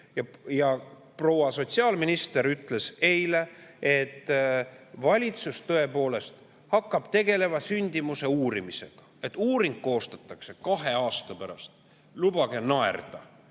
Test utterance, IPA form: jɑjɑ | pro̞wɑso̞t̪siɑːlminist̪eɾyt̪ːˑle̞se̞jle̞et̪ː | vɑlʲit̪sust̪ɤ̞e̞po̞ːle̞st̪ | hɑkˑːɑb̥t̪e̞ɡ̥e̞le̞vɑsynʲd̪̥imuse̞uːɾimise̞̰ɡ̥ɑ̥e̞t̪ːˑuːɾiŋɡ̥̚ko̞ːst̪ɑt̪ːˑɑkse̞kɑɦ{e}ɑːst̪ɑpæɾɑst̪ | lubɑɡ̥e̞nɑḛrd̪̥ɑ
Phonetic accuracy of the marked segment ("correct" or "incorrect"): correct